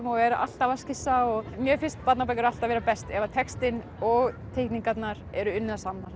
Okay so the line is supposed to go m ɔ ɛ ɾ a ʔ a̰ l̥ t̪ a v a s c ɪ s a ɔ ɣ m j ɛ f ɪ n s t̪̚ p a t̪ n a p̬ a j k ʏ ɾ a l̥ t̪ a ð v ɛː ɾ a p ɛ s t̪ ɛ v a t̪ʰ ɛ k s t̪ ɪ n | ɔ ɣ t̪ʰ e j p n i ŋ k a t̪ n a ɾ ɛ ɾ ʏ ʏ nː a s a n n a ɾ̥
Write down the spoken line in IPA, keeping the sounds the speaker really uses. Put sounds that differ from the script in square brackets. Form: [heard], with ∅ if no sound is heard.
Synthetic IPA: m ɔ ɛ ɾ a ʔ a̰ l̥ t̪ a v a s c ɪ s a ɔ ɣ m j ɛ f ɪ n s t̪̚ p a t̪ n a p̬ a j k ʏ ɾ a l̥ t̪ a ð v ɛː ɾ a p ɛ s t̪ ɛ v a t̪ʰ ɛ k s t̪ ɪ n | ɔ ɣ t̪ʰ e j [k] n i ŋ k a t̪ n a ɾ ɛ ɾ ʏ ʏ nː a s a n n a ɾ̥